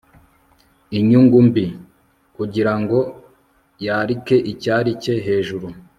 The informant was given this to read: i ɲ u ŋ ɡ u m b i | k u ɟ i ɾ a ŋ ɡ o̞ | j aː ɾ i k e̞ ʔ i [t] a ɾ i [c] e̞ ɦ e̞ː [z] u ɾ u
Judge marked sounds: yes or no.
no, yes, no

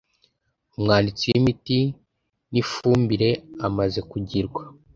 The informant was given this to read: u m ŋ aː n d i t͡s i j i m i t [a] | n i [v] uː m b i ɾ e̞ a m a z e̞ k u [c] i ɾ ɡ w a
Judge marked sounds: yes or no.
no, no, no

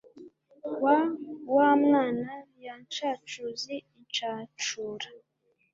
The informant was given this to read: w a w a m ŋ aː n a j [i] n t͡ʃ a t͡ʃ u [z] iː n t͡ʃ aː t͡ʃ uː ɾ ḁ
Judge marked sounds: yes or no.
no, yes

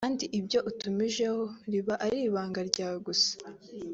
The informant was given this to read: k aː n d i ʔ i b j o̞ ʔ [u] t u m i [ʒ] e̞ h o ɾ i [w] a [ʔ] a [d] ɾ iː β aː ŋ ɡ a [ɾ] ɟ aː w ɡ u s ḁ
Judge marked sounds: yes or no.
yes, yes, no, yes, no, yes

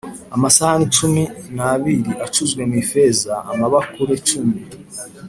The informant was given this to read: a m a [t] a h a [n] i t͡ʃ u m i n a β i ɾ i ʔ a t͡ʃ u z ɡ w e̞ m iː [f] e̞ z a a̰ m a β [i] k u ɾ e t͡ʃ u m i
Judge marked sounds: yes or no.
no, yes, yes, no

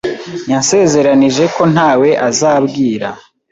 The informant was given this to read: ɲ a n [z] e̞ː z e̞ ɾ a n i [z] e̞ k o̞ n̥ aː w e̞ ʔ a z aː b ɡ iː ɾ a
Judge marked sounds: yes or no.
no, no

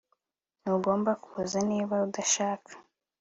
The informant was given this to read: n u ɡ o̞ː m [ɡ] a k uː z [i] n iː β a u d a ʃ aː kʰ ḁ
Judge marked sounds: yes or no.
no, no

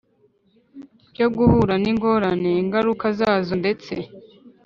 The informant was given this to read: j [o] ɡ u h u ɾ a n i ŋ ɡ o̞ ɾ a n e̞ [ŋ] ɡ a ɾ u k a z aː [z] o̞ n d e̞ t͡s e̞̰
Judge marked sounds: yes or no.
yes, yes, yes

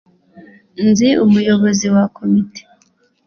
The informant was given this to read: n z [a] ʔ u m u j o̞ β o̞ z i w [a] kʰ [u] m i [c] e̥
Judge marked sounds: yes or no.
no, yes, no, no

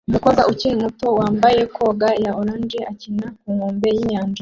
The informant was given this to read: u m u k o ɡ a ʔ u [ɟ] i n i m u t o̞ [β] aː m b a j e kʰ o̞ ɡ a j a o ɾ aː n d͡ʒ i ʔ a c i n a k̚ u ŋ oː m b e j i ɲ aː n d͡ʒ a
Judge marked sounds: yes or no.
no, no

